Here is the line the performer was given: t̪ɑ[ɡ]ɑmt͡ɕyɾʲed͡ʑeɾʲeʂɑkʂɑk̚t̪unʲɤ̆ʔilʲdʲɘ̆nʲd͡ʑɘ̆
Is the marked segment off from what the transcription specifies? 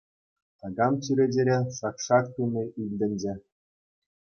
no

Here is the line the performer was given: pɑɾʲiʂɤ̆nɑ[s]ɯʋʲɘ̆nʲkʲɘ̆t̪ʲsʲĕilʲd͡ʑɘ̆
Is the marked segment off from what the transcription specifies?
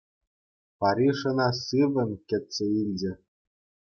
no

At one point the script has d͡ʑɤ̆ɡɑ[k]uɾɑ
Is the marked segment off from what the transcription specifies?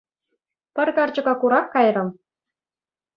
no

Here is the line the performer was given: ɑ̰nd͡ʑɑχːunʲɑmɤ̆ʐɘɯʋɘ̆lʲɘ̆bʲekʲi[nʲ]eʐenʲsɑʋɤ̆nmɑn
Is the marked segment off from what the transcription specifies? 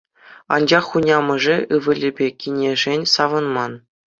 no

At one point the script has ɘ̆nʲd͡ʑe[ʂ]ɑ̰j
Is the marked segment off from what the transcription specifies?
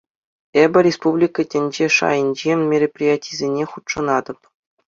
no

